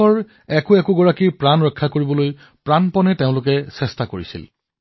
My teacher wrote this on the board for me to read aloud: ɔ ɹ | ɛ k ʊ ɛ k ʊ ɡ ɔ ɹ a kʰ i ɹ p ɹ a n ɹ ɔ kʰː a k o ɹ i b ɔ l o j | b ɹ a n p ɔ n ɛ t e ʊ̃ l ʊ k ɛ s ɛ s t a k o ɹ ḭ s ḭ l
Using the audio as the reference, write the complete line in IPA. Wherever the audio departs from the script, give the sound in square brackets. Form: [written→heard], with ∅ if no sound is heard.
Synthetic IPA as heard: ɔ ɹ | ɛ k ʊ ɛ k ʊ ɡ ɔ ɹ a [kʰ→k] i ɹ p ɹ a n ɹ ɔ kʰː a k o ɹ i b ɔ l o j | [b→p] ɹ a n p ɔ n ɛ t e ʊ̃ l ʊ k ɛ s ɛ s t a k o ɹ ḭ s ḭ l